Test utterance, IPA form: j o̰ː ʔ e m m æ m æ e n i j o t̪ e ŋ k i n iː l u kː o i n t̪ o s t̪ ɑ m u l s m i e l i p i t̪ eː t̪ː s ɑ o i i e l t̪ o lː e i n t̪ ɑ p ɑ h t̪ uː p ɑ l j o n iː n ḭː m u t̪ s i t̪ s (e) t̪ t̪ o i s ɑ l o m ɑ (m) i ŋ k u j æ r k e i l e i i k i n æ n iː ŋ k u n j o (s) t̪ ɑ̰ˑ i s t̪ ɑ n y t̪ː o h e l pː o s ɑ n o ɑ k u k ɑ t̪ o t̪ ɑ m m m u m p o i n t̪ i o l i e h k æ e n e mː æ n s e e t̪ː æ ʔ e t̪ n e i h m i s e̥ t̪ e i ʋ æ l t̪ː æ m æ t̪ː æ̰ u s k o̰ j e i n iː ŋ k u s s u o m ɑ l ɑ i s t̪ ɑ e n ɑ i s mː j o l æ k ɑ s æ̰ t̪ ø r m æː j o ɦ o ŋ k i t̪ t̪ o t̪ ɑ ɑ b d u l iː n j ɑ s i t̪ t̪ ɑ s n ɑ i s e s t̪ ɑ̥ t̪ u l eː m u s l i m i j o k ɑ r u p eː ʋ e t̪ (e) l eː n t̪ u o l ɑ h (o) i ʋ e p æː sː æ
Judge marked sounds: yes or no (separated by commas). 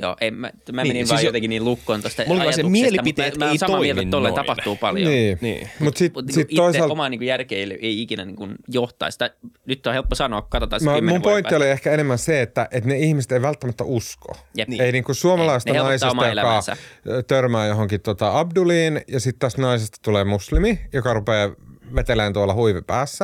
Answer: no, no, no, yes, no